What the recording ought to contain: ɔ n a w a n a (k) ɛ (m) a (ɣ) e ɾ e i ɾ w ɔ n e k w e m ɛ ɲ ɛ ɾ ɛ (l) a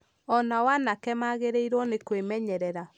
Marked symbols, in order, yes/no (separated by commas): yes, yes, yes, no